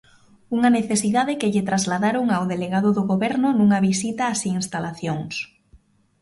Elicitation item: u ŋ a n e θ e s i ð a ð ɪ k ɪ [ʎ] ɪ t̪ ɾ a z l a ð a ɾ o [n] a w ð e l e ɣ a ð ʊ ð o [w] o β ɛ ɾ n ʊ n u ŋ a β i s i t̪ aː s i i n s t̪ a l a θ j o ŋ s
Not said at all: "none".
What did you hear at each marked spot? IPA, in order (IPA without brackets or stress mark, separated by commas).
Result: ʎ, ŋ, ɣ